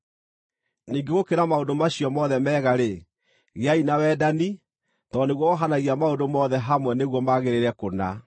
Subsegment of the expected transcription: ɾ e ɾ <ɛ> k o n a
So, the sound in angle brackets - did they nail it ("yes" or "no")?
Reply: yes